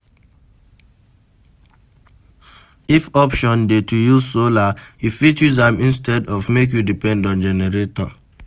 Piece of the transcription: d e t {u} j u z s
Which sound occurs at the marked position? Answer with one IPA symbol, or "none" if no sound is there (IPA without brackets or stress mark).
u